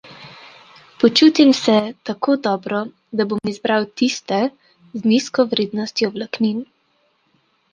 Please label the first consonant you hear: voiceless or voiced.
voiceless